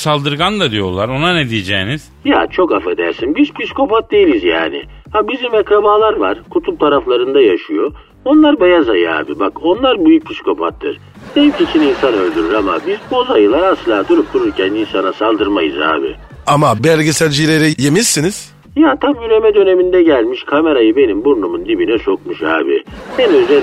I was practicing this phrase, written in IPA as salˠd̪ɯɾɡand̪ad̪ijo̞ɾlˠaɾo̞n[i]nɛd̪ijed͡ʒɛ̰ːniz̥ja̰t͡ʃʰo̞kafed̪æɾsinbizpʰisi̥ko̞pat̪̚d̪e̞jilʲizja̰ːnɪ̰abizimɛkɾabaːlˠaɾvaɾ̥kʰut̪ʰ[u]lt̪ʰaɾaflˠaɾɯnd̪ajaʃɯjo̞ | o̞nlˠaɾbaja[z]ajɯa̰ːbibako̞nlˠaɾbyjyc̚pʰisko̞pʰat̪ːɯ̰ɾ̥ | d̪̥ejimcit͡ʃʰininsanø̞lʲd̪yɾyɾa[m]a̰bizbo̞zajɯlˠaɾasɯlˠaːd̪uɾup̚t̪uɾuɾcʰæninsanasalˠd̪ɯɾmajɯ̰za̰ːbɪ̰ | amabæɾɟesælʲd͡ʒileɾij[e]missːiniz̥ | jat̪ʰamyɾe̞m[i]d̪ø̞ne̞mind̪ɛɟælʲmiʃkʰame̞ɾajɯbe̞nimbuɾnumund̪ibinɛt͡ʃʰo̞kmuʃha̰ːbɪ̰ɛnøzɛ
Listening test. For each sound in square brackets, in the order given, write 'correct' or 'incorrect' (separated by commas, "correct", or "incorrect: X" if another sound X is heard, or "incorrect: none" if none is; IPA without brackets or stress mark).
incorrect: a, correct, correct, correct, correct, incorrect: ɛ